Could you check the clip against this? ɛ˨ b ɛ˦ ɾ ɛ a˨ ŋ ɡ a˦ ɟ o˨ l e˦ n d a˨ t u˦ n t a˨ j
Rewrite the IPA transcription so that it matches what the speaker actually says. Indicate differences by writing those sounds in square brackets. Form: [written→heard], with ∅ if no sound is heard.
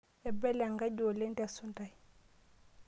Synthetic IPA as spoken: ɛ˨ b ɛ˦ [ɾ→l] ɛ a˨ ŋ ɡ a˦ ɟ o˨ l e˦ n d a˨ [t→s] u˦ n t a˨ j